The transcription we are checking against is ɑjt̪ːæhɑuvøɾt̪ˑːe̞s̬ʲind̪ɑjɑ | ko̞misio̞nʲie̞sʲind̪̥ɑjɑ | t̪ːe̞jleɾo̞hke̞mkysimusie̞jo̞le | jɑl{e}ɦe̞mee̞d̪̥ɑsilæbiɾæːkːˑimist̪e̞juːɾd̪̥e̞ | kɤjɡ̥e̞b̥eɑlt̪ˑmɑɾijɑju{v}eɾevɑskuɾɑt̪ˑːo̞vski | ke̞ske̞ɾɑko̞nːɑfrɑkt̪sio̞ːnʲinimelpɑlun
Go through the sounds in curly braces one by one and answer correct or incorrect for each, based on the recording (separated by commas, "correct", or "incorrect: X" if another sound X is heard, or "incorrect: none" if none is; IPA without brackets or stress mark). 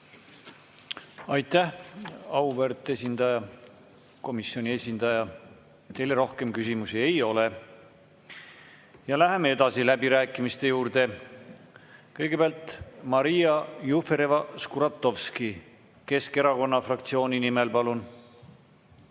incorrect: æ, incorrect: f